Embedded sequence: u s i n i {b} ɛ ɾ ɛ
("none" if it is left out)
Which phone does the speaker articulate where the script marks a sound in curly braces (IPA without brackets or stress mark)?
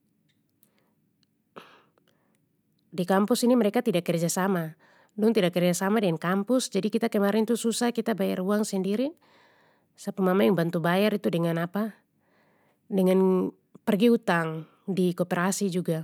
m